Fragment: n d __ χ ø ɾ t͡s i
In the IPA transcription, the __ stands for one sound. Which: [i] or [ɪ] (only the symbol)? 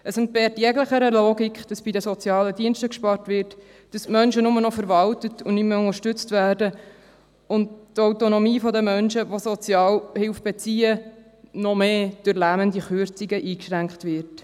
i